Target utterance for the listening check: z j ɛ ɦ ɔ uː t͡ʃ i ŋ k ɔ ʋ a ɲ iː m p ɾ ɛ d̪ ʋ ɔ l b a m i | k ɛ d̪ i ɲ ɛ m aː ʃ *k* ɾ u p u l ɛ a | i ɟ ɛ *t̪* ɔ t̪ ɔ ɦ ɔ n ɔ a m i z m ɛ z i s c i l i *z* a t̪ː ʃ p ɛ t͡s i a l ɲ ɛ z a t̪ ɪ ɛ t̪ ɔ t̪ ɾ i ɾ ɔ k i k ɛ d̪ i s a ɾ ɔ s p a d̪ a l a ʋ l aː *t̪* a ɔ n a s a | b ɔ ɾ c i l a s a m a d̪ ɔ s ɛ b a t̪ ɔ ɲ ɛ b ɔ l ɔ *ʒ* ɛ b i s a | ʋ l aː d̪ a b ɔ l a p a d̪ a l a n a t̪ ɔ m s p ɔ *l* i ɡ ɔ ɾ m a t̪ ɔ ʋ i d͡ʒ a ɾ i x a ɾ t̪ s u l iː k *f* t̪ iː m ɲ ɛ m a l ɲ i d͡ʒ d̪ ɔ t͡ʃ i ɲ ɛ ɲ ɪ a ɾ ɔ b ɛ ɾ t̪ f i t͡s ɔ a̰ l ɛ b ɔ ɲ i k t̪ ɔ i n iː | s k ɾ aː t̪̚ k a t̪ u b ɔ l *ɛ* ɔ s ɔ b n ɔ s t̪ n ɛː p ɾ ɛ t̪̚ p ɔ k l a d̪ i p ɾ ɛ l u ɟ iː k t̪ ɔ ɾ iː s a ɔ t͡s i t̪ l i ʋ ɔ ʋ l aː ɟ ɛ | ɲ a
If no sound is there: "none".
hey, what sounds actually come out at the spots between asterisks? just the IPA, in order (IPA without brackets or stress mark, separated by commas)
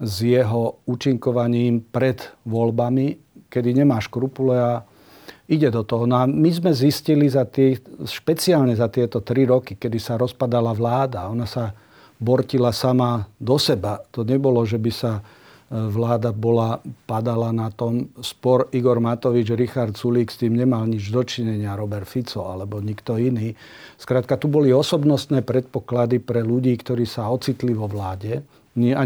k, d̪, z, d̪, ʒ, ɾ, s, i